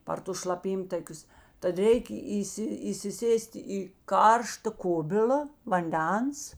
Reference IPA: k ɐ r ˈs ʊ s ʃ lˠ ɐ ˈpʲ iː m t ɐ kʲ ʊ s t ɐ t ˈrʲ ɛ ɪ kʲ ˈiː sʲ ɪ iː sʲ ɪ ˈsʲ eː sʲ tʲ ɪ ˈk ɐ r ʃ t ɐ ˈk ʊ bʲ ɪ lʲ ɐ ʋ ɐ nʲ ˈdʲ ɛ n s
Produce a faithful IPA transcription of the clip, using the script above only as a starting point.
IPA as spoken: p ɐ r ˈt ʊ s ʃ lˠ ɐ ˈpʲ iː m t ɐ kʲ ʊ s t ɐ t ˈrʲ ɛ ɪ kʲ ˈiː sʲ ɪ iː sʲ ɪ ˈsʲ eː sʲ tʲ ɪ ˈk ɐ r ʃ t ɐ ˈk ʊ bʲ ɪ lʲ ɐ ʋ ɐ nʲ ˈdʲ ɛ n s